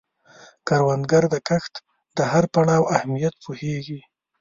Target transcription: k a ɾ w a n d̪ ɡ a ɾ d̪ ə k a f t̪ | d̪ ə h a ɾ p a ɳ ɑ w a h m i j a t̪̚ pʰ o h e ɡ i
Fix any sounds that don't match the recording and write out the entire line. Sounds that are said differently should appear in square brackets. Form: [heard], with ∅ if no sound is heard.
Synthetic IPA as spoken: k a ɾ w a n d̪ ɡ a ɾ d̪ ə k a [x] t̪ | d̪ ə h a ɾ p a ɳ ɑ w a h m i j a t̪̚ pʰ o h e ɡ i